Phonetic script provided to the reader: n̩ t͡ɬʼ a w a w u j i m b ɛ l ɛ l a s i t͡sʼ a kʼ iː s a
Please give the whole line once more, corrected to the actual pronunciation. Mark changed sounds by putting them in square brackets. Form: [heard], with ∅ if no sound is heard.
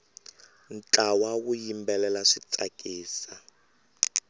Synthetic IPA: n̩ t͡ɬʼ a w a w u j i m b ɛ l ɛ l a [ʂ] i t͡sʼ a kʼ iː s a